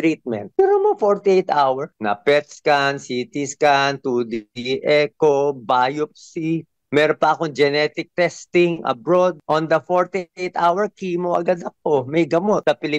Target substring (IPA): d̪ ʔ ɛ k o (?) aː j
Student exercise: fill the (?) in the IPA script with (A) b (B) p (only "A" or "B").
A